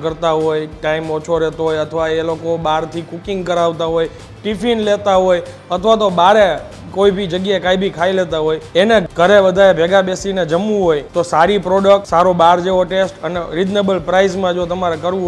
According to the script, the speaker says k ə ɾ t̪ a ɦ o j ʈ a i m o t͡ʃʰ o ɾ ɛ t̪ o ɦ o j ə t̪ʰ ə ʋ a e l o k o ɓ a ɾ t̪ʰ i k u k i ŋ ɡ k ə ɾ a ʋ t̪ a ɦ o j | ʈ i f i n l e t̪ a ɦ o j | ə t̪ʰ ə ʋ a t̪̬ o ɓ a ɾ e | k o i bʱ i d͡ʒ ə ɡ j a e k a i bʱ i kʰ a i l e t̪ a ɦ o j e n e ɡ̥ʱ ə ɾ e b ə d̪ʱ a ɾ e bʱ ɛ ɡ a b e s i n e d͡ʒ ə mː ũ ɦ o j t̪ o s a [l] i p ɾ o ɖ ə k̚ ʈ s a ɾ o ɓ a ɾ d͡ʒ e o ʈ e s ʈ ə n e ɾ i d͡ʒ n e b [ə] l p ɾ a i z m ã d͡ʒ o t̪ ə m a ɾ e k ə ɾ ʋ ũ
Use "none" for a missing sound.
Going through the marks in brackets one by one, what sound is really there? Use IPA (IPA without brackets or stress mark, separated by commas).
ɾ, ə